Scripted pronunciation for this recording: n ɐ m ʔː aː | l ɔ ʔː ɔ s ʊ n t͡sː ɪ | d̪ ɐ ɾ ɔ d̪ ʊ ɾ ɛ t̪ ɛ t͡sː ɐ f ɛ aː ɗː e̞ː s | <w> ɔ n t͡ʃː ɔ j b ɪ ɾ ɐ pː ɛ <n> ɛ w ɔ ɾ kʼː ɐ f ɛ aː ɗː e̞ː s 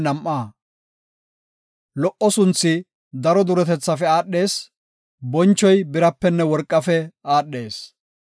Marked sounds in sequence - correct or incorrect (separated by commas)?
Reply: incorrect, incorrect